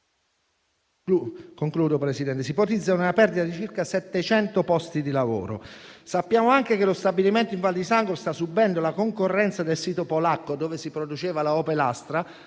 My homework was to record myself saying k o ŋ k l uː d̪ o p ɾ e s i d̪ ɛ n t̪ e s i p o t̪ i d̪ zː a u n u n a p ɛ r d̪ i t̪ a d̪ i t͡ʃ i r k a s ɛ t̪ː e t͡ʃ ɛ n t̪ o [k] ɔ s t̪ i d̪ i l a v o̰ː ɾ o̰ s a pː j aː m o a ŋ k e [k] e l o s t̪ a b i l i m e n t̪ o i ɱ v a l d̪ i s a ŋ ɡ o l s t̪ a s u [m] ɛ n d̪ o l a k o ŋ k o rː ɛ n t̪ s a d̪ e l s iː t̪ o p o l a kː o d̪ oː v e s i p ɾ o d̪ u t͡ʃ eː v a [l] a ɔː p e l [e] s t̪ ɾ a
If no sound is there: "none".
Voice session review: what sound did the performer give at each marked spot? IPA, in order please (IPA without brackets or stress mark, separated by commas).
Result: p, k, b, l, a